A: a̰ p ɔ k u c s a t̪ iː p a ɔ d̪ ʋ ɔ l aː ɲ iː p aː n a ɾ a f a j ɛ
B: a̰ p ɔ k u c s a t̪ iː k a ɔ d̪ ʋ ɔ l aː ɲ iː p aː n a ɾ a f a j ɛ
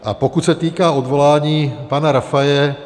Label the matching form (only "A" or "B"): B